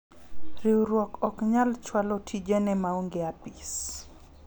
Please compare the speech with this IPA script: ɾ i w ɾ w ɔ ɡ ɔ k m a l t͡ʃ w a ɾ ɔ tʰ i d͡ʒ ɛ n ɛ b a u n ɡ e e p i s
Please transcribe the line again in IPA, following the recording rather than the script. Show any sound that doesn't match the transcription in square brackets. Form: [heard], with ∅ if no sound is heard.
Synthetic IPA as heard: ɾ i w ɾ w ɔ [k] ɔ k [ɲ] a l t͡ʃ w a [l] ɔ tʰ i d͡ʒ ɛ n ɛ [m] a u [ŋ] ɡ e [a] p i s